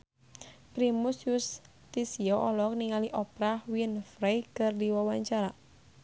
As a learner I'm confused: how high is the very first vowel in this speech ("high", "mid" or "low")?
high